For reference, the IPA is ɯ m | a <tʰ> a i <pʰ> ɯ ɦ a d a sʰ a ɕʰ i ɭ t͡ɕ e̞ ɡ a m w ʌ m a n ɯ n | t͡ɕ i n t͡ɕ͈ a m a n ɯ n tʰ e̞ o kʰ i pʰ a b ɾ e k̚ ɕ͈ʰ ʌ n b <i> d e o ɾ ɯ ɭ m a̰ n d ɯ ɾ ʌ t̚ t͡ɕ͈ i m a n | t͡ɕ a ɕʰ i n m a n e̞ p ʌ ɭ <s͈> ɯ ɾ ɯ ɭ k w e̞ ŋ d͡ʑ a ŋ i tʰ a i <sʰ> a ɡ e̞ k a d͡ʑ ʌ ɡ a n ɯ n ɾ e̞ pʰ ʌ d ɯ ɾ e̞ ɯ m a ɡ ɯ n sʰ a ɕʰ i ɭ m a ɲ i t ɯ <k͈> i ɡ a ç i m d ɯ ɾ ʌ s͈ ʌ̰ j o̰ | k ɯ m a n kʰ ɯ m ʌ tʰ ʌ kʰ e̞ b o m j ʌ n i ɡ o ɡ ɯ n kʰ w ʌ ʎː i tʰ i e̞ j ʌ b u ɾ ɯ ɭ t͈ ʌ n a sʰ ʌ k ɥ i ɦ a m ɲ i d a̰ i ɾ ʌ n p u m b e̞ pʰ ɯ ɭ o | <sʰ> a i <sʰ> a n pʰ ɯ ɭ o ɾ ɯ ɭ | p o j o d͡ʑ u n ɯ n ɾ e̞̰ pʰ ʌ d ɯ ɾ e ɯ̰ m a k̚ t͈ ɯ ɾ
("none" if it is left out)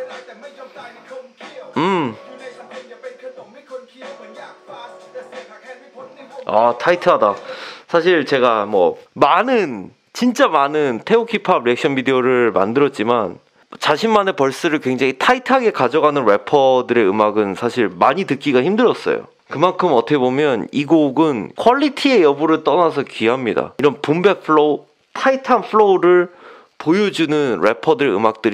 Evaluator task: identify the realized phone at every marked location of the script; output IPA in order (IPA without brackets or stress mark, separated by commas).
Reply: tʰ, tʰ, i, s͈, tʰ, k͈, tʰ, tʰ